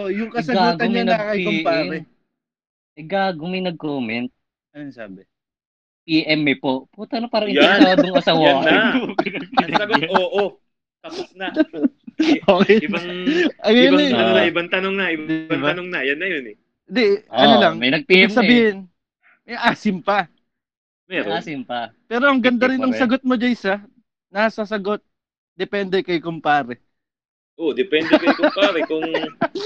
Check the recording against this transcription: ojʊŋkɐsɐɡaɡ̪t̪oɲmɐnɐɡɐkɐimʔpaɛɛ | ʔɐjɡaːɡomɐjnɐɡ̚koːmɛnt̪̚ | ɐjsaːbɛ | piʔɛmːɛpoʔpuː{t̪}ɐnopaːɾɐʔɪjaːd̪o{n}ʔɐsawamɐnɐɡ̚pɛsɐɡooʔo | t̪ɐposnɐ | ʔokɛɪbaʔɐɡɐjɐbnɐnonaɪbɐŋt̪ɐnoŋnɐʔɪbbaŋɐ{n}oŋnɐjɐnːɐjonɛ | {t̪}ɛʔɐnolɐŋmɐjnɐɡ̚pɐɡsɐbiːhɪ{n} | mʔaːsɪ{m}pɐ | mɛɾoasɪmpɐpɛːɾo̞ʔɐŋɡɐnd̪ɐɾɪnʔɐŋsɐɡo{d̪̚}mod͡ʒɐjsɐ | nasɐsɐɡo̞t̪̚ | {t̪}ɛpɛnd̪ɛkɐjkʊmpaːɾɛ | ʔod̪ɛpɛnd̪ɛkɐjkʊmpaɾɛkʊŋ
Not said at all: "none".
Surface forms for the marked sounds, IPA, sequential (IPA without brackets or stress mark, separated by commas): t̪, ŋ, n, d̪, n, m, t̪̚, d̪